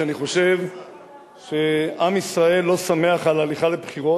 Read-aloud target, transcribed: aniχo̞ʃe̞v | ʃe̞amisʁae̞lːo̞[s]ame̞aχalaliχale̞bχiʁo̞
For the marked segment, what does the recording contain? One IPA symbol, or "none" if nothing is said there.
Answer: s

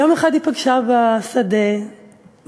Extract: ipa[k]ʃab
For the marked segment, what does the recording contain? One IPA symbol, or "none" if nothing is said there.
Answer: ɡ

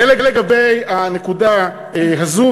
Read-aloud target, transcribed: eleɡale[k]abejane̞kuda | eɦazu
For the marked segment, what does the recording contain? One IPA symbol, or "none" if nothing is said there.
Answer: ɡ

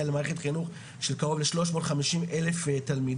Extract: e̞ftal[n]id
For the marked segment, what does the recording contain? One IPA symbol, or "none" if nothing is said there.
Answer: m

